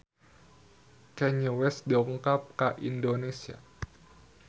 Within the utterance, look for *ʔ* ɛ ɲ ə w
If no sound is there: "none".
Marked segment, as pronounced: k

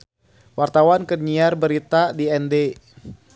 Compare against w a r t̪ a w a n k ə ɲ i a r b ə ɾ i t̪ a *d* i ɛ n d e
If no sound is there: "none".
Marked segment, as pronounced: d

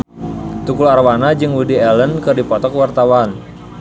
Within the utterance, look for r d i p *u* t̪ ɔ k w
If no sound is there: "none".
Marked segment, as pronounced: ɔ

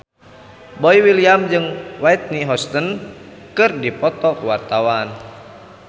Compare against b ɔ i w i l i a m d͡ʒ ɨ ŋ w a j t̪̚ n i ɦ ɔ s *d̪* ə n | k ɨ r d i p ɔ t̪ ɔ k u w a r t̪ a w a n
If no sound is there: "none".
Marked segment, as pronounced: t̪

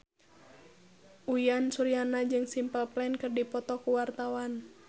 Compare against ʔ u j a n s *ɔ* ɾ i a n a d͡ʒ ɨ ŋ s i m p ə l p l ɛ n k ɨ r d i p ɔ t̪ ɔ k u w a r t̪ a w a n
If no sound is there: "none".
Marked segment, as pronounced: u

